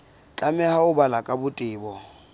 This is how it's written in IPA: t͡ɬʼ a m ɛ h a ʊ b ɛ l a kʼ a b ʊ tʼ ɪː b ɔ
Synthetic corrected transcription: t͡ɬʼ a m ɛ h a ʊ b a l a kʼ a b ʊ tʼ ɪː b ɔ